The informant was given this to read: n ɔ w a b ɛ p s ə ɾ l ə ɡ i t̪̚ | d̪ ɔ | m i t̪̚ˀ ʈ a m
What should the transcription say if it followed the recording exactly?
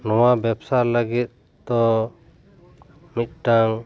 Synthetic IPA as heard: n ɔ w a b ɛ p s a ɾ l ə ɡ i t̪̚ | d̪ ɔ | m i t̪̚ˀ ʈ a ŋ